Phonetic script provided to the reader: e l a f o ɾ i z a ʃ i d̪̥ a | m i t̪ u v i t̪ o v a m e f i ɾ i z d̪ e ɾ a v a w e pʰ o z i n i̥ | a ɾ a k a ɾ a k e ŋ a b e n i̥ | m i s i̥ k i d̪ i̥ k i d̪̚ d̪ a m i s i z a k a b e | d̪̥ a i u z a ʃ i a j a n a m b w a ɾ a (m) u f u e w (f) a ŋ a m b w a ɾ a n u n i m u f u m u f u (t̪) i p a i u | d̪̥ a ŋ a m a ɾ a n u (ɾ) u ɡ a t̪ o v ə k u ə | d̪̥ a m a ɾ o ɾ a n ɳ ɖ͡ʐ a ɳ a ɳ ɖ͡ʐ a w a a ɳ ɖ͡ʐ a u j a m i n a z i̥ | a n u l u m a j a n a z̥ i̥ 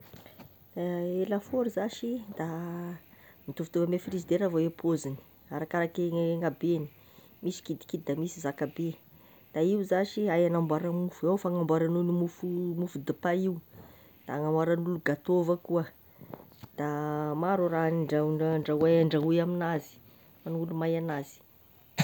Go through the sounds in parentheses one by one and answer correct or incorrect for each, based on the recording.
correct, correct, incorrect, incorrect

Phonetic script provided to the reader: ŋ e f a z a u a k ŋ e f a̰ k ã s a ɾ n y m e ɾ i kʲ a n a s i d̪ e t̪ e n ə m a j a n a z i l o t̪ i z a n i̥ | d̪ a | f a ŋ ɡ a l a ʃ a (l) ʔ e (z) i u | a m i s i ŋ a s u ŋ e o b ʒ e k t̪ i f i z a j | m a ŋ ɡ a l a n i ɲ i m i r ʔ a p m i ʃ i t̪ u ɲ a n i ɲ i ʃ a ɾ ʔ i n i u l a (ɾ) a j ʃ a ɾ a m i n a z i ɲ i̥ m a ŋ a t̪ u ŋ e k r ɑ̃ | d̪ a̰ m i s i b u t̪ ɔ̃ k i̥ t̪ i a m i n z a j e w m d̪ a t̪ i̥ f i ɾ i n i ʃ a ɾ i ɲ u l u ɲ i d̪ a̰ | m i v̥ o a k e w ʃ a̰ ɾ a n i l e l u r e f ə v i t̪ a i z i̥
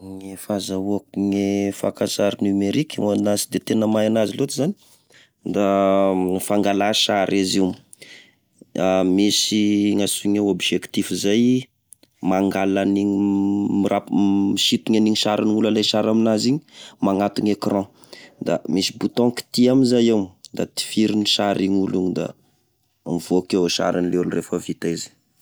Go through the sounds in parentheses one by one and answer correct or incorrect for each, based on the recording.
incorrect, correct, incorrect

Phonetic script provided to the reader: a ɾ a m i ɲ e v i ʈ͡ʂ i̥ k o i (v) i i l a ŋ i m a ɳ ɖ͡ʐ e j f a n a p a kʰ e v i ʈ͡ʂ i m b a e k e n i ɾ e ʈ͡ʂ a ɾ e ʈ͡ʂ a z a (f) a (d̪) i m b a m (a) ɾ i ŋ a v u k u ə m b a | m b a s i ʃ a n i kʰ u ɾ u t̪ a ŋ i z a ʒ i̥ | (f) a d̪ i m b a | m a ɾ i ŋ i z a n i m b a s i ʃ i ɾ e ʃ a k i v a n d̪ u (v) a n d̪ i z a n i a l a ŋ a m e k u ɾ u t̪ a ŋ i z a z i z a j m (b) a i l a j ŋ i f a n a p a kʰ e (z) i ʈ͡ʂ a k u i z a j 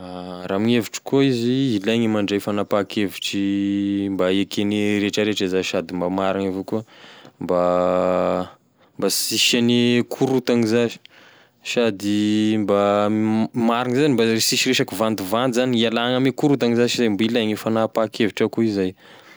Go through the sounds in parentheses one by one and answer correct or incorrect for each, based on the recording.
incorrect, incorrect, correct, correct, incorrect, correct, correct, incorrect

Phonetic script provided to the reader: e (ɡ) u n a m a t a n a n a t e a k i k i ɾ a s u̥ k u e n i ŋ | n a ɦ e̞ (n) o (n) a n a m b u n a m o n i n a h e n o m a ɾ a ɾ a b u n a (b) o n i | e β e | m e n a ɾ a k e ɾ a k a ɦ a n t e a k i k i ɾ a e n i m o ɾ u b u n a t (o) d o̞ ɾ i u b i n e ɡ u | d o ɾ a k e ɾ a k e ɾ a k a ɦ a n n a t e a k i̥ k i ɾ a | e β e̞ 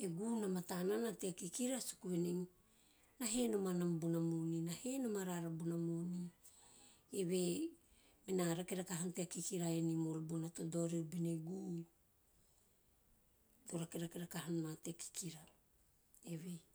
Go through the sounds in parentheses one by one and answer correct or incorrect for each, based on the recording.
correct, correct, incorrect, incorrect, correct

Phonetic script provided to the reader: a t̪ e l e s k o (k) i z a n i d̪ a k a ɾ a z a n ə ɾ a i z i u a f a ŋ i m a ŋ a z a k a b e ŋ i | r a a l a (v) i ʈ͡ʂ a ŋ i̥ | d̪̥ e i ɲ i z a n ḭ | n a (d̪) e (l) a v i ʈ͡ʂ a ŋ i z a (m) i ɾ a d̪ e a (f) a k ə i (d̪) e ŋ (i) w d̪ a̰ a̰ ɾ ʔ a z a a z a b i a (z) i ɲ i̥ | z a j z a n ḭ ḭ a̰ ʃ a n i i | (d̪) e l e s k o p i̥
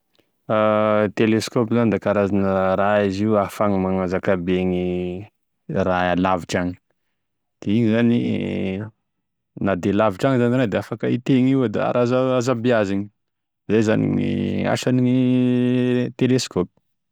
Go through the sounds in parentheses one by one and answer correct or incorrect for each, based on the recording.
incorrect, correct, correct, correct, incorrect, correct, incorrect, correct, correct, incorrect

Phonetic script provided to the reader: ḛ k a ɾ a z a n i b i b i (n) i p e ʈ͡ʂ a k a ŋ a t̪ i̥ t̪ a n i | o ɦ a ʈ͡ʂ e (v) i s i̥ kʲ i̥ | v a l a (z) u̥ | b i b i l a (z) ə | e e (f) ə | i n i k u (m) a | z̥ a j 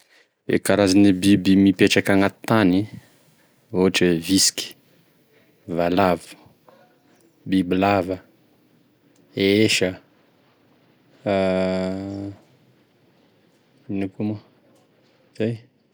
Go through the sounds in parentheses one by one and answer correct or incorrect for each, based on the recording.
incorrect, correct, incorrect, incorrect, incorrect, correct

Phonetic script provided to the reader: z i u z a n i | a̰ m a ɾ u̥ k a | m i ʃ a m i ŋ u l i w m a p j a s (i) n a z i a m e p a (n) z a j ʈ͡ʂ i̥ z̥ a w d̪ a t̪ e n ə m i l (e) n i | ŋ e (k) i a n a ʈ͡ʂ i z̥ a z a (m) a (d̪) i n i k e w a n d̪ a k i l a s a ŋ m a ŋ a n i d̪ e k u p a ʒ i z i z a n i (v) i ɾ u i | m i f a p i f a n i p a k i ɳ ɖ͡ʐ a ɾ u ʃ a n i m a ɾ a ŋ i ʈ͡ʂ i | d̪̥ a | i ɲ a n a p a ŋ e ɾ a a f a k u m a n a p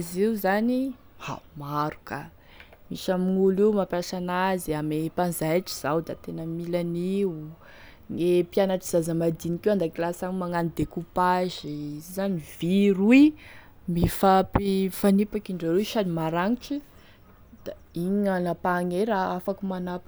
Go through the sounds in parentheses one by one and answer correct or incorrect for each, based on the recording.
incorrect, correct, incorrect, incorrect, correct, correct, correct

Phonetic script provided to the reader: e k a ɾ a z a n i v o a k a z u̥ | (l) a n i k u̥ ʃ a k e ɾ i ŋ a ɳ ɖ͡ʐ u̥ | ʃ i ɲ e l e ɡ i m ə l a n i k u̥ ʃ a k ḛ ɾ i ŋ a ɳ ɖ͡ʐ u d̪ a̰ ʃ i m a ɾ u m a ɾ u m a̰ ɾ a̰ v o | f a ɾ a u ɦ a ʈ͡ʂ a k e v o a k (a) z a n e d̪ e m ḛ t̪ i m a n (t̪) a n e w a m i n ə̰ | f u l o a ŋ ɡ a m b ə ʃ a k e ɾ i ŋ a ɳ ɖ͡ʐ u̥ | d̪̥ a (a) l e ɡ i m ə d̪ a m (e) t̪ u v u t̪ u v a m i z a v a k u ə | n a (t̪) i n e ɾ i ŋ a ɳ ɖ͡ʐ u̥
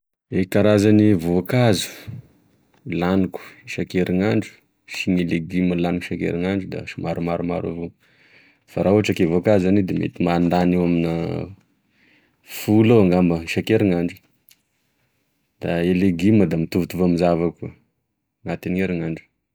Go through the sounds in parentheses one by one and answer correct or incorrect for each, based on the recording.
correct, correct, incorrect, incorrect, incorrect, correct

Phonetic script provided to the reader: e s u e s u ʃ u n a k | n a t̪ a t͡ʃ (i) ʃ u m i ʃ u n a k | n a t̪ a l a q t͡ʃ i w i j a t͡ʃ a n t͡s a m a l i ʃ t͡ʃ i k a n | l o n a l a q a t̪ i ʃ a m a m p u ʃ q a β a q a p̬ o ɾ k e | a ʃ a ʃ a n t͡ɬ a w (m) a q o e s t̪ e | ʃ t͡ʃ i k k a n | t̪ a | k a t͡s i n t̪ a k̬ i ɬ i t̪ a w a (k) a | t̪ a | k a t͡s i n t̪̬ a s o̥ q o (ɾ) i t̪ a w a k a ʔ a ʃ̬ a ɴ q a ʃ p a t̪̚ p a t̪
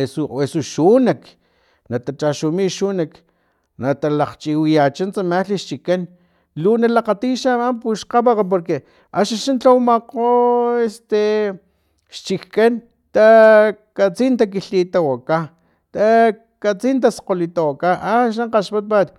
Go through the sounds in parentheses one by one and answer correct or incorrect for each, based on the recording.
incorrect, correct, correct, incorrect

